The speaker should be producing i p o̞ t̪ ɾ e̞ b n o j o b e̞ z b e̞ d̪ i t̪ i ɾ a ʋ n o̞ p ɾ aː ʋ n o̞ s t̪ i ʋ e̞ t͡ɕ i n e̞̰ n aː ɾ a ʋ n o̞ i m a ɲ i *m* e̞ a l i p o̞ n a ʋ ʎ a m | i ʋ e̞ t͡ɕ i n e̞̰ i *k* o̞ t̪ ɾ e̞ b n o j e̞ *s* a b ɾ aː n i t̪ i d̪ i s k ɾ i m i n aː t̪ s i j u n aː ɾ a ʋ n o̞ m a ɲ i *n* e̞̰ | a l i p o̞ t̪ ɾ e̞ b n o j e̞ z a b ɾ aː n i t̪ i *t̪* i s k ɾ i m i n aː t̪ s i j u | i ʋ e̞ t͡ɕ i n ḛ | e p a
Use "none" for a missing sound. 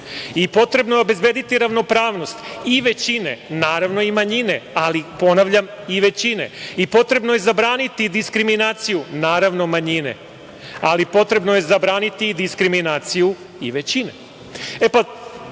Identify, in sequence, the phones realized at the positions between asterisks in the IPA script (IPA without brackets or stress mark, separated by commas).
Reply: n, p, z, n, d̪